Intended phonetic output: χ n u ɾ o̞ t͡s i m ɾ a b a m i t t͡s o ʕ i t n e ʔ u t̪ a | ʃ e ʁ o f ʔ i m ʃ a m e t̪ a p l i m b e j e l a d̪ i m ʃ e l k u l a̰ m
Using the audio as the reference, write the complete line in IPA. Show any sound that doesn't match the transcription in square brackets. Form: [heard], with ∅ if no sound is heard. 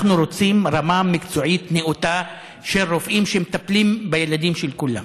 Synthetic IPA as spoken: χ n u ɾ o̞ t͡s i m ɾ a [m] a m i [k] t͡s o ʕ i t n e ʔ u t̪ a | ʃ e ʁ o f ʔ i m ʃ [e] m e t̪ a p l i m b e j e l a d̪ i m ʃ e l k u l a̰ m